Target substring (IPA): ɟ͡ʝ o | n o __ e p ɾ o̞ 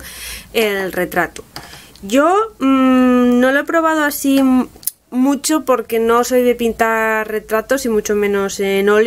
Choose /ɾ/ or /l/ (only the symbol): l